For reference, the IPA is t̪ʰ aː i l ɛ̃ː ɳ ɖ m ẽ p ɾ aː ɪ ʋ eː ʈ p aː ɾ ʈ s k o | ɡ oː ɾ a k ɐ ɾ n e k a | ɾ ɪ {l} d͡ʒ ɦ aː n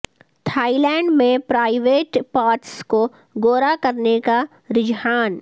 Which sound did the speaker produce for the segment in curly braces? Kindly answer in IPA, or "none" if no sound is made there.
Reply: none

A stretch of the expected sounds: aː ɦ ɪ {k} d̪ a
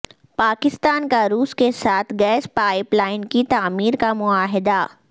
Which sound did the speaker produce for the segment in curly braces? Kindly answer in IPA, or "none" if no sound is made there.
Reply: none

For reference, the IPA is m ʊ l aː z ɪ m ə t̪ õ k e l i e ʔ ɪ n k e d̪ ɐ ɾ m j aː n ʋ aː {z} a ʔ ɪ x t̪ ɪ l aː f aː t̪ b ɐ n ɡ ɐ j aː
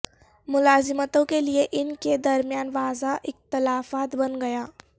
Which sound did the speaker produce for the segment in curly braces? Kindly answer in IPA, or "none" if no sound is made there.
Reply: z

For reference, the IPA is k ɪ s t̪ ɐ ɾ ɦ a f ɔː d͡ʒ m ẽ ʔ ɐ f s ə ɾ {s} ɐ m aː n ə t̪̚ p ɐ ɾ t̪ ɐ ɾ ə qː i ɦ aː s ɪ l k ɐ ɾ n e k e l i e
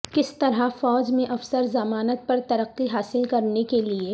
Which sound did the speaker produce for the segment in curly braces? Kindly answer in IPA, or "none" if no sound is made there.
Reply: z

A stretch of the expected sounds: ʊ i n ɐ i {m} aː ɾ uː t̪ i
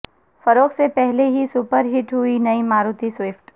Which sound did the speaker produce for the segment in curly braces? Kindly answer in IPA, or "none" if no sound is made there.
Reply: m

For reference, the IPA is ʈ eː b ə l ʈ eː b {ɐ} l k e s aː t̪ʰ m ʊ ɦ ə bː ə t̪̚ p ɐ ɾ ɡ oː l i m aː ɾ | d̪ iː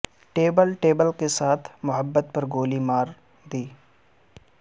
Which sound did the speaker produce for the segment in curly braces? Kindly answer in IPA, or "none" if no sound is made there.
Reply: ə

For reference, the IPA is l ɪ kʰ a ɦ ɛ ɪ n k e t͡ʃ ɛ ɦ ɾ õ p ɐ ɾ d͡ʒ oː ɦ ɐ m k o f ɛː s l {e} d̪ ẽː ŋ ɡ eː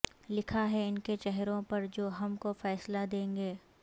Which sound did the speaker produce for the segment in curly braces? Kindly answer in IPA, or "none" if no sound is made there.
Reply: a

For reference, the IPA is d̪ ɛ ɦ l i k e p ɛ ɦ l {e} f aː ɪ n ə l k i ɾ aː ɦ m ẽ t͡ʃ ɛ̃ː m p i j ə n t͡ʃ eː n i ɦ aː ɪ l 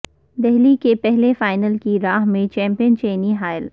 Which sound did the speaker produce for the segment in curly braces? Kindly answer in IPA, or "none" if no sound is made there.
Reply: e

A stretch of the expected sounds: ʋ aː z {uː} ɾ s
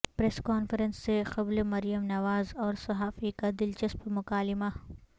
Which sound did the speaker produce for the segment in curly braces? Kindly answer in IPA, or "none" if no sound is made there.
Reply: ɔː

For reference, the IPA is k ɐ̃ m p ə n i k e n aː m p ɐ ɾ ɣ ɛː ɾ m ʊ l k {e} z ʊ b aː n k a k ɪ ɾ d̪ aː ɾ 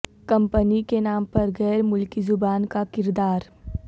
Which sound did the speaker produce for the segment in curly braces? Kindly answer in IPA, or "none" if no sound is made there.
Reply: i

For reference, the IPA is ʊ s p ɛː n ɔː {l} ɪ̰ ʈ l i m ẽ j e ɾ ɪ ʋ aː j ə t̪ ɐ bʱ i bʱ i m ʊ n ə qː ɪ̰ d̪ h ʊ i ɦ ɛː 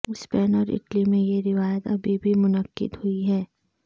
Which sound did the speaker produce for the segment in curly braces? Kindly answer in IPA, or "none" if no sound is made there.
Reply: ɾ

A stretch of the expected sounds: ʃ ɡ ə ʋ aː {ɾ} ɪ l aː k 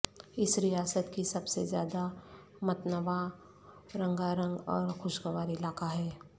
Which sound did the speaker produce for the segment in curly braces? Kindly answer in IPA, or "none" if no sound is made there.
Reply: ɾ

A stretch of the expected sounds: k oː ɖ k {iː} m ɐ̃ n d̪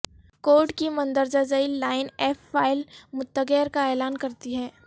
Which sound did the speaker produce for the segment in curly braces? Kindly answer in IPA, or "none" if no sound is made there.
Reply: i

